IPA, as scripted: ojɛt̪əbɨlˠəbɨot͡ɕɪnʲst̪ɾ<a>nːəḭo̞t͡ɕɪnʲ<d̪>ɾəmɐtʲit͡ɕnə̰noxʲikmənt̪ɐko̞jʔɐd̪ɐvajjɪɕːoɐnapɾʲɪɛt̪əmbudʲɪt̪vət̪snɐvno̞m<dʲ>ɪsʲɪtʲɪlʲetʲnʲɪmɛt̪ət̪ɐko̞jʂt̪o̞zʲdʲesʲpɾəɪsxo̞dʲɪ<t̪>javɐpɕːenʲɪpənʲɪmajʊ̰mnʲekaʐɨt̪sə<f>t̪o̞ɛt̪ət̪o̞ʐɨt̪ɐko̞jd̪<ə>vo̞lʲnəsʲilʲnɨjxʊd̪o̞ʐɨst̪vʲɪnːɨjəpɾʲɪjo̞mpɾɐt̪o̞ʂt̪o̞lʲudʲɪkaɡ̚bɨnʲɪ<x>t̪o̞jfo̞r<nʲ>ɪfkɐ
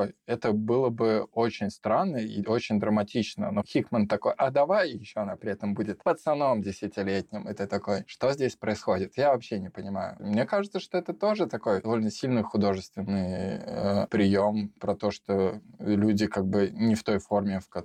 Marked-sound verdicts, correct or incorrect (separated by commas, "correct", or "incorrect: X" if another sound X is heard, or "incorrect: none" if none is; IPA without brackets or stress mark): correct, correct, correct, correct, incorrect: ʂ, incorrect: ɐ, incorrect: f, incorrect: mʲ